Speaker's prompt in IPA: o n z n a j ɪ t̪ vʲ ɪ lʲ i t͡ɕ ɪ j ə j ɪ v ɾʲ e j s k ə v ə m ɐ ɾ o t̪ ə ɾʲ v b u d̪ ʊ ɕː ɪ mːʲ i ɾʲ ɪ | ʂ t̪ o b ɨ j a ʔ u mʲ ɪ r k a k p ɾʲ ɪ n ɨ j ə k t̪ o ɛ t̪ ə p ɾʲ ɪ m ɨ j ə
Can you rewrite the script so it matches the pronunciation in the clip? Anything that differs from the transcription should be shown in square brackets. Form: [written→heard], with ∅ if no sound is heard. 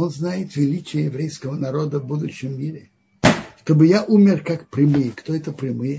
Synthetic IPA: o n z n a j ɪ t̪ vʲ ɪ lʲ i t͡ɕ ɪ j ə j ɪ v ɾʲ e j s k ə v ə [m→n] ɐ ɾ o [t̪→d̪] ə [ɾʲ→∅] v b u d̪ ʊ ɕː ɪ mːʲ i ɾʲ ɪ | ʂ t̪ o b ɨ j a ʔ u mʲ ɪ r k a k p ɾʲ ɪ [n→m] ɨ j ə k t̪ o ɛ t̪ ə p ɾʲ ɪ m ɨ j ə